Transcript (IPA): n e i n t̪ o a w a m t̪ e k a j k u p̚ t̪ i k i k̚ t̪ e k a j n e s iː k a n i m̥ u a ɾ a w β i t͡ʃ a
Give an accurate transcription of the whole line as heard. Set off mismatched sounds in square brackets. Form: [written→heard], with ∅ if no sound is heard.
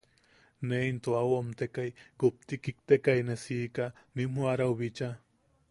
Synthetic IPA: n e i n t̪ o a w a m t̪ e k a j k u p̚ t̪ i k i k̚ t̪ e k a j n e s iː k a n i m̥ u a ɾ a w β i t͡ʃ a